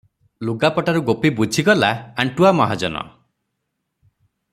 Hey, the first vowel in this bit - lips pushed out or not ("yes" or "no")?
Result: yes